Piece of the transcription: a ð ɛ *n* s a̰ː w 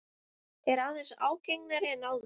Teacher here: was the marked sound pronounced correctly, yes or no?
yes